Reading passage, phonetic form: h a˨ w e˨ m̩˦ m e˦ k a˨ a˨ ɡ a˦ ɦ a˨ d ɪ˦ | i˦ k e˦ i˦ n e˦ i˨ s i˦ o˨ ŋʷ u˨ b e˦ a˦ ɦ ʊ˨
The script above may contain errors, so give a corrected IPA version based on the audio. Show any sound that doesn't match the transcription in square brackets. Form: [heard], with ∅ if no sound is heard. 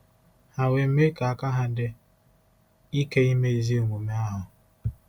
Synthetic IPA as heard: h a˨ w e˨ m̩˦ m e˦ k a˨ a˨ [k] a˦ ɦ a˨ d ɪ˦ | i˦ k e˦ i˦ [m] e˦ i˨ [z] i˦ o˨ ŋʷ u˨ [m] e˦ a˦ ɦ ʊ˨

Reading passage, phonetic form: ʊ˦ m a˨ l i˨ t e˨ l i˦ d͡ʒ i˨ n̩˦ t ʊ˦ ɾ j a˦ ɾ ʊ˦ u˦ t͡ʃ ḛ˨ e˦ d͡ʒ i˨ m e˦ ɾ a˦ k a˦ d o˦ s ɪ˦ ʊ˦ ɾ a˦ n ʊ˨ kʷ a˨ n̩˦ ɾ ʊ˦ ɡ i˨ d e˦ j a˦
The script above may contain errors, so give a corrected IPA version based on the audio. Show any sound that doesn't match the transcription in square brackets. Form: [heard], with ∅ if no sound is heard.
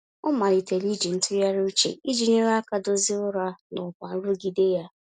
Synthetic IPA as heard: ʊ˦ m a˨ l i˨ t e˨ l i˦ d͡ʒ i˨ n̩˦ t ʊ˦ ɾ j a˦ ɾ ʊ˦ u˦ t͡ʃ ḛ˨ [i˦] d͡ʒ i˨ [ɲ] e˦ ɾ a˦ k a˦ d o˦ [z] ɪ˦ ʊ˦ ɾ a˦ n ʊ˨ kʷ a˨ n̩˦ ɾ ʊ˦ ɡ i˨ d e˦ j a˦

